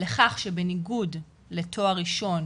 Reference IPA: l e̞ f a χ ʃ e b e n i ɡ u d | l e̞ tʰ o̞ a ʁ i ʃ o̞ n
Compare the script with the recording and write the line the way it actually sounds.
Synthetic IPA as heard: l e̞ χ a χ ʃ e b e n i ɡ u d | l e̞ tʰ o̞ a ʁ i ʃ o̞ n

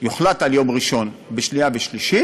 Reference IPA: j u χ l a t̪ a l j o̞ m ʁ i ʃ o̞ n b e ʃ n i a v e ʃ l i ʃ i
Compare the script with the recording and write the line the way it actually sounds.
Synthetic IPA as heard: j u χ l a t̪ a l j o̞ m ʁ i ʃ o̞ n b e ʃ n i a v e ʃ l i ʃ i

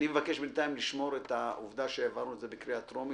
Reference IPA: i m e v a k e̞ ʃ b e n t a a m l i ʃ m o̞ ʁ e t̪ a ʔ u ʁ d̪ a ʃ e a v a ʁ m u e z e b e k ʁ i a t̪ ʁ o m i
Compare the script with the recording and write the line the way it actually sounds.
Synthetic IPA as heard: i m e v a k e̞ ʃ b e n t a i m l i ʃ m o̞ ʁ e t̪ a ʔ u v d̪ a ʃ e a v a ʁ n u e z e b e k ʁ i a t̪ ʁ o m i

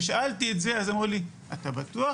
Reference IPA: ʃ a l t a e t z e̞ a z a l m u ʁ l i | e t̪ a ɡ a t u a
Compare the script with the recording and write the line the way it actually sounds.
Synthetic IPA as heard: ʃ a l t i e t z e̞ a z a m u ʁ l i | a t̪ a b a t u a

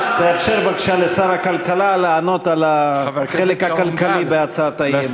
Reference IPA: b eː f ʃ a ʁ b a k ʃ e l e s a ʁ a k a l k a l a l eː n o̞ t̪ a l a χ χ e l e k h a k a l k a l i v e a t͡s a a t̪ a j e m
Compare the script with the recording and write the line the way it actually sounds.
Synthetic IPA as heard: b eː f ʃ e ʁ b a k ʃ a l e s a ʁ a k a l k a l a l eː n o̞ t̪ a l a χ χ e l e k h a k a l k a l i b e a t͡s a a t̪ a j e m

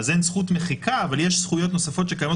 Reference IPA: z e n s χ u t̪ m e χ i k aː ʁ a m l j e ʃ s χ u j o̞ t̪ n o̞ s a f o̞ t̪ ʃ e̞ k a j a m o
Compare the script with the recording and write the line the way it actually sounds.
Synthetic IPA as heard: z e n s χ u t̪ m e χ i k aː v a l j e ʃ s χ u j o̞ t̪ n o̞ s a f o̞ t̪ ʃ e̞ k a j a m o

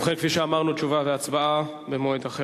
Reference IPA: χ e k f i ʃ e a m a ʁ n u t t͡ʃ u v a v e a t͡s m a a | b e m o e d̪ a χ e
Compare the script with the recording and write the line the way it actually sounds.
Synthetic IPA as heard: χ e k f i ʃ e a m a ʁ n u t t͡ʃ u v a v e a t͡s b a a | b e m o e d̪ a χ e

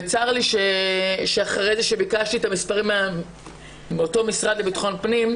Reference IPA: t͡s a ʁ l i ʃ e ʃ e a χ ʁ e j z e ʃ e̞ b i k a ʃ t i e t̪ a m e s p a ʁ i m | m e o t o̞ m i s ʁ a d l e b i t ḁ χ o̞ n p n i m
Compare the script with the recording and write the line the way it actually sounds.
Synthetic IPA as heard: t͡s a ʁ l i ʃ e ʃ e a χ ʁ e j z e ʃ e̞ b i k a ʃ t i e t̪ a m i s p a ʁ i m | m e o t o̞ m i s ʁ a d l e b i t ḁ χ o̞ n p n i m

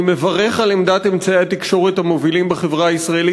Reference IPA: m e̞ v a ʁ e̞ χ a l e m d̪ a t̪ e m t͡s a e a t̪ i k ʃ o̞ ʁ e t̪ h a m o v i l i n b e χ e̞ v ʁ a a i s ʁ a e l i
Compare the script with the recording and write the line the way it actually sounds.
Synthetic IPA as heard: m e̞ v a ʁ e̞ χ a l e m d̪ a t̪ e m t͡s a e a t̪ i k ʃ o̞ ʁ e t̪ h a m o v i l i m b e χ e̞ v ʁ a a i s ʁ a e l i

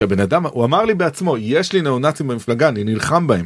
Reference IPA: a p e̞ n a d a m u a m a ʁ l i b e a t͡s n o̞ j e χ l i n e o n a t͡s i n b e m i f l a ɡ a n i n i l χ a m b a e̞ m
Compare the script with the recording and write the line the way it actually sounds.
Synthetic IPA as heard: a b e̞ n a d a m u a m a ʁ l i b e a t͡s m o̞ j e ʃ l i n e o n a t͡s i m b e m i f l a ɡ a n i n i l χ a m b a e̞ m

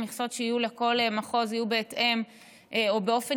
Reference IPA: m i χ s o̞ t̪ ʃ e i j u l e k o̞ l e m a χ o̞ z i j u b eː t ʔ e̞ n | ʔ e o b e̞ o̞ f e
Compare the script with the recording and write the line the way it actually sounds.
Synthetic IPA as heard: m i χ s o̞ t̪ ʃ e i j u l e k o̞ l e m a χ o̞ z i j u b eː t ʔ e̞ m | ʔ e o b e̞ o̞ f e

